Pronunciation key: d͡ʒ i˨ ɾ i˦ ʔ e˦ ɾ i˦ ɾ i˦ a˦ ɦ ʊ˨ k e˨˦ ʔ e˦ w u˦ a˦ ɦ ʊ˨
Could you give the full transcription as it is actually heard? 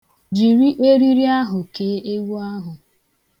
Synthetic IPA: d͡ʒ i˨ ɾ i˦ ʔ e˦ ɾ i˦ ɾ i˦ a˦ ɦ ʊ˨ k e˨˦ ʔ e˦ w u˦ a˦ ɦ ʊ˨